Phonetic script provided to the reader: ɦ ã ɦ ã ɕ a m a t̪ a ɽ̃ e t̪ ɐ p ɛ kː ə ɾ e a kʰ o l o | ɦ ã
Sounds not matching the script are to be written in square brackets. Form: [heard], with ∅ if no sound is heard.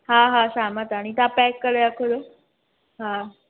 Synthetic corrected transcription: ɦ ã ɦ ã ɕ a m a t̪ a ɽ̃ [i] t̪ [a] p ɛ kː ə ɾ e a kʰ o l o | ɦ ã